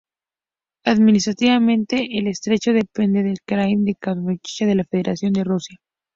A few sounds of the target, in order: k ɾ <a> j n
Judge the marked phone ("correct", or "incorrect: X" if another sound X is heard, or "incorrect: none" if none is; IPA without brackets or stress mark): correct